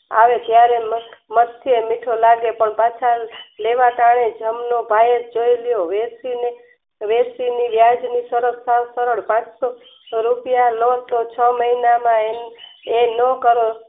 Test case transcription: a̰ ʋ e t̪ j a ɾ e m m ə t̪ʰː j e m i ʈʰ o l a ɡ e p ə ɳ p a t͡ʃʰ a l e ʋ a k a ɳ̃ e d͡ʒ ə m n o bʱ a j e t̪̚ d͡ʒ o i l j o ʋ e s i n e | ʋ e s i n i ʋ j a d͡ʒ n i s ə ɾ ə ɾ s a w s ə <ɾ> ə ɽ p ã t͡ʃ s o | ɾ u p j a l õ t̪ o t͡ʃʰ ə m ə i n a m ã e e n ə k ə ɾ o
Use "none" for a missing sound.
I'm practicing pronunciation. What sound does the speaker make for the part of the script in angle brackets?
ɾ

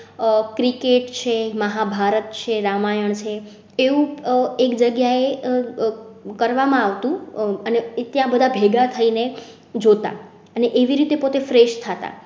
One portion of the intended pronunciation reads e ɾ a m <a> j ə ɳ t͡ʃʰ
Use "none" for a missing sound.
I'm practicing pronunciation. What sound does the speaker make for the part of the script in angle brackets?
a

